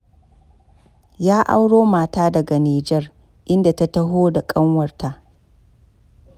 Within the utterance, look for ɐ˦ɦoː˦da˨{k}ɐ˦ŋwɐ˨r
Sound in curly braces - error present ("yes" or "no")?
yes